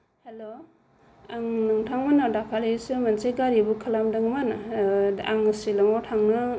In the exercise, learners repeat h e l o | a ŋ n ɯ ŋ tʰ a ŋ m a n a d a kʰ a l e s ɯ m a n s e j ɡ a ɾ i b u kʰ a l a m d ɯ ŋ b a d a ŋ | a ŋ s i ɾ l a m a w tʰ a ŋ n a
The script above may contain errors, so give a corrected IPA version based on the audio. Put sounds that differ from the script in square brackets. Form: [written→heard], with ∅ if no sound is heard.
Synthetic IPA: h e l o | a ŋ n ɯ ŋ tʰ a ŋ m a n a d a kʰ a l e s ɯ m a n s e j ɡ a ɾ i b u kʰ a l a m d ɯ ŋ [b→m] a [d→n] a [ŋ→∅] | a ŋ s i [ɾ→∅] l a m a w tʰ a ŋ n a